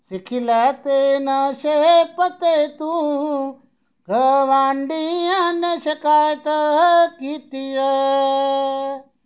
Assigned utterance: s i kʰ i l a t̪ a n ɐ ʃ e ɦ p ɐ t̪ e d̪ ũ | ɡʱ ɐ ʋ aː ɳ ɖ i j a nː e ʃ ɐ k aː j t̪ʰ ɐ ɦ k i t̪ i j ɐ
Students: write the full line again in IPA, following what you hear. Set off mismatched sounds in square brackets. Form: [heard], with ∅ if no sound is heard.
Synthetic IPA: s i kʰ i l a t̪ [e] n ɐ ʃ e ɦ p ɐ t̪ e [t̪] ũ | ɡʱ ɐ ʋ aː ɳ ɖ i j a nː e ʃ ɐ k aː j [t̪] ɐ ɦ k i t̪ i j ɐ